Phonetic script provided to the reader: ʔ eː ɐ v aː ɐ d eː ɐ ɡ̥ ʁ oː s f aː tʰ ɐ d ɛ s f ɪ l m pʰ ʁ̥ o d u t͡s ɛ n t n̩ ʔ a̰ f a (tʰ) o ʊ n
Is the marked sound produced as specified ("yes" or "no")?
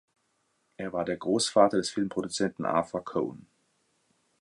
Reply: no